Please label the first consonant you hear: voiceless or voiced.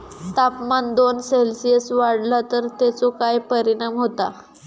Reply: voiceless